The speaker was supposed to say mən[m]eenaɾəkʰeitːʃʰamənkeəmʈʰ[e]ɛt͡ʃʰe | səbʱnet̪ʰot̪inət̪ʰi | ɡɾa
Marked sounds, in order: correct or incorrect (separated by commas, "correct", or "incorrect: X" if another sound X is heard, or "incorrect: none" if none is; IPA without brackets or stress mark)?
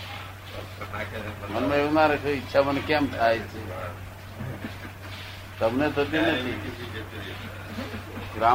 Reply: correct, incorrect: a